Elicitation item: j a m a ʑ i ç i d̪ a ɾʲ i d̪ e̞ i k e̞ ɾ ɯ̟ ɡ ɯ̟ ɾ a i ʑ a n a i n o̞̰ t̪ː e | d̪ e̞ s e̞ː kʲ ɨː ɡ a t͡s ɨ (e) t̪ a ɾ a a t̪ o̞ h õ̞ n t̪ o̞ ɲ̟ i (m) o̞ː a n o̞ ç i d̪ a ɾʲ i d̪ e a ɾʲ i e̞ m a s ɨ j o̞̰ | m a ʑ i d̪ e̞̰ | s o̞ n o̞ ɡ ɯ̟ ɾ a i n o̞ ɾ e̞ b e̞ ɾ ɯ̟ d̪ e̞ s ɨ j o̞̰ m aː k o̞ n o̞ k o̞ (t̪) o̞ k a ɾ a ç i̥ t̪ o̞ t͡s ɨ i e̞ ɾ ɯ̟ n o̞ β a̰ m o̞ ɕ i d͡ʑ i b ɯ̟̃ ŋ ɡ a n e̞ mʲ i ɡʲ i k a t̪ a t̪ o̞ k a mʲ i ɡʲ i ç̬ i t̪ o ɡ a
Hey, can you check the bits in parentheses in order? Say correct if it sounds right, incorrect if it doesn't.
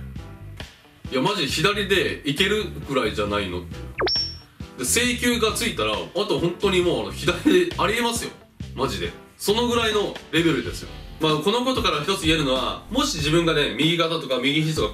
incorrect: i, correct, correct

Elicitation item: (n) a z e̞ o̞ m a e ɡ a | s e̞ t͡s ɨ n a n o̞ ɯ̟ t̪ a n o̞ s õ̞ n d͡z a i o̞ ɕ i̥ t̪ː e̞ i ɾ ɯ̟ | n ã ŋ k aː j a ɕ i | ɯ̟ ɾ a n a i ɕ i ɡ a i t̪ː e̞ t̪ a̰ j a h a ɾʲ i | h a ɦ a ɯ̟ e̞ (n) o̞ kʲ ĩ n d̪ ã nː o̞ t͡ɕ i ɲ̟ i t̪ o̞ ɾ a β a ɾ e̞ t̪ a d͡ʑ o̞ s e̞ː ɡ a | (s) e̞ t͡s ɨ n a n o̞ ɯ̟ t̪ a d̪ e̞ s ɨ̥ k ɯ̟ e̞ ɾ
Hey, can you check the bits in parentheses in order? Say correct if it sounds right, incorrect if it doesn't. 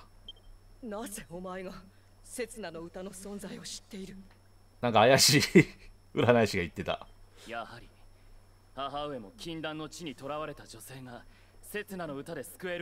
correct, incorrect: m, correct

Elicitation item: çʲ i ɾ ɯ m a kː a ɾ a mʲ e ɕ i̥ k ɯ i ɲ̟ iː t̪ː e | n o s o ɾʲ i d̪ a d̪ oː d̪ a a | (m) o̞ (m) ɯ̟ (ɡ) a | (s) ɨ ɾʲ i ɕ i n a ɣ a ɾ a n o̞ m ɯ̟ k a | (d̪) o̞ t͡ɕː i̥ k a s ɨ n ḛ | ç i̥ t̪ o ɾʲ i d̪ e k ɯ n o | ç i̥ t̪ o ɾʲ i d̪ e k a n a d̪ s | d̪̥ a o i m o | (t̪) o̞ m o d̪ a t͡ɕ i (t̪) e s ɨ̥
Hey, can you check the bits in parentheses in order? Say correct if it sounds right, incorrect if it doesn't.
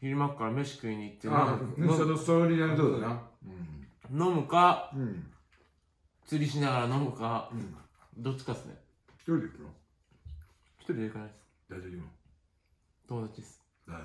incorrect: n, correct, incorrect: k, incorrect: t͡s, correct, correct, incorrect: d̪

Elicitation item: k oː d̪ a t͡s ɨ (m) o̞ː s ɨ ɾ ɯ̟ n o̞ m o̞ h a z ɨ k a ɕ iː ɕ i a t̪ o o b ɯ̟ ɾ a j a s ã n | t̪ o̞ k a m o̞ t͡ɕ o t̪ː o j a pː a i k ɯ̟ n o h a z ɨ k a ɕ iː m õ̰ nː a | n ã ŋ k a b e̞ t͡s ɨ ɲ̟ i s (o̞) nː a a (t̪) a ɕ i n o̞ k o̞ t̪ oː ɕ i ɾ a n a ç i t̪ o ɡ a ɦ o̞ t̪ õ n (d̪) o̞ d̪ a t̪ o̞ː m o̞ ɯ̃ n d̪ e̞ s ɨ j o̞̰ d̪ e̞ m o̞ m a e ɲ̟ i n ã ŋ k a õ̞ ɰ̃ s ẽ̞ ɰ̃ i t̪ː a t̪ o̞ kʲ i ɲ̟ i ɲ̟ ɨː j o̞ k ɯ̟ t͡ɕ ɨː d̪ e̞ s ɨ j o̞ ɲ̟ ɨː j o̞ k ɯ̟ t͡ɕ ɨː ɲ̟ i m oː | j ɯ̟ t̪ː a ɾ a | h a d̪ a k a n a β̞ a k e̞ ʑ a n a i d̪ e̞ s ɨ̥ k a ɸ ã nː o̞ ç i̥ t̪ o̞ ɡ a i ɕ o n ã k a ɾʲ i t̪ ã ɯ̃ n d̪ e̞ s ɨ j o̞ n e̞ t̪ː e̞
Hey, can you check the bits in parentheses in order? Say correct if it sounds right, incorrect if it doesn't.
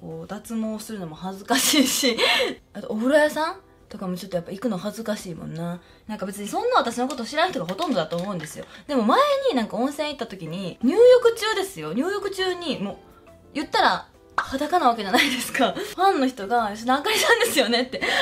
correct, incorrect: õ̞, correct, correct

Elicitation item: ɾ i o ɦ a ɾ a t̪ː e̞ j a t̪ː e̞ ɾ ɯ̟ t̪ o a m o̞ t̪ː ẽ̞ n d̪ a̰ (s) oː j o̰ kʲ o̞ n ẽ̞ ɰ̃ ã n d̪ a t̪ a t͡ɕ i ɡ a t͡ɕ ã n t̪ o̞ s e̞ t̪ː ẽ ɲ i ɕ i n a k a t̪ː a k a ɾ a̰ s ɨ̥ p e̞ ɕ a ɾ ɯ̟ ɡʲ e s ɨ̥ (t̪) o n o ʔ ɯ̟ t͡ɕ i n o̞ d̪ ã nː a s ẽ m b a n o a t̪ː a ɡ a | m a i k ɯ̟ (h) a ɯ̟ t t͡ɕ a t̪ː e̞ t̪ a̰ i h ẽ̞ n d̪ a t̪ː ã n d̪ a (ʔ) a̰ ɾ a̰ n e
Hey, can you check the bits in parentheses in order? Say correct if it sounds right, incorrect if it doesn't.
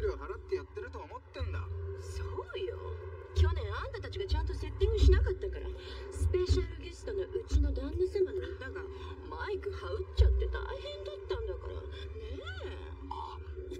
correct, correct, correct, incorrect: k

